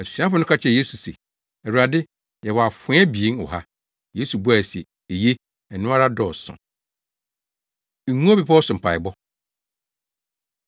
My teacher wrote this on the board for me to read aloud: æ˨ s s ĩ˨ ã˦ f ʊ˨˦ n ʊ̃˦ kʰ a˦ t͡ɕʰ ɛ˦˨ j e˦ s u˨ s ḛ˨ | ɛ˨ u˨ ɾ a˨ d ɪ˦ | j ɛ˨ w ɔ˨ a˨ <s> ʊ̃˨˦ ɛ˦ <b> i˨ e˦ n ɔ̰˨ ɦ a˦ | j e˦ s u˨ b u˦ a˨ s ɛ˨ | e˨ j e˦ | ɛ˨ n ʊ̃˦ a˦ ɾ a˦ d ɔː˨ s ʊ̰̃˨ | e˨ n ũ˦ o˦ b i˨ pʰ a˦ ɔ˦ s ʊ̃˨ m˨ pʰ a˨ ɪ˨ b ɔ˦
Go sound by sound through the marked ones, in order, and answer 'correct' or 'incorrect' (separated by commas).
incorrect, correct